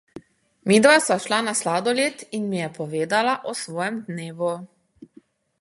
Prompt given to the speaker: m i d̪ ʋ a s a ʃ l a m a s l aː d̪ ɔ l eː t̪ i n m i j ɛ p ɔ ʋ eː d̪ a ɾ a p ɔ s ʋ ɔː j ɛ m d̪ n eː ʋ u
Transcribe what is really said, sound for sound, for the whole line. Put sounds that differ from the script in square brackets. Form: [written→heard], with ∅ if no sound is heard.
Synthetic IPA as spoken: m i d̪ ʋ a s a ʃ l a [m→n] a s l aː d̪ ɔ l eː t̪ i n m i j ɛ p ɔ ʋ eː d̪ a [ɾ→l] a [p→ʔ] ɔ s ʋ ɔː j ɛ m d̪ n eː ʋ u